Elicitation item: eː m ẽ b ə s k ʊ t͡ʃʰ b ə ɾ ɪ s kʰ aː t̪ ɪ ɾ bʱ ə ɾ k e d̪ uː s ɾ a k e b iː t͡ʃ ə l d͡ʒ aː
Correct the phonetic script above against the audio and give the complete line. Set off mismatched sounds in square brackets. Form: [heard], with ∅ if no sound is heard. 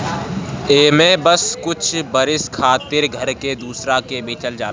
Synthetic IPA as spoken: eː m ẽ b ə s k ʊ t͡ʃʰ b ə ɾ ɪ s kʰ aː t̪ ɪ ɾ [ɡʱ] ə ɾ k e d̪ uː s ɾ a k e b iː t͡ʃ ə l d͡ʒ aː